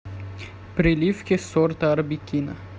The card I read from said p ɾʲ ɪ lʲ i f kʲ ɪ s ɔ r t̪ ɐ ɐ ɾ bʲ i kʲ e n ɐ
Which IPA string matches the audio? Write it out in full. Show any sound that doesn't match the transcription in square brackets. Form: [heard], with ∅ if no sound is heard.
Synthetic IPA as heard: p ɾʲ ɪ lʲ i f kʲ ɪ s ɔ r t̪ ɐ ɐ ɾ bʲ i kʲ [i] n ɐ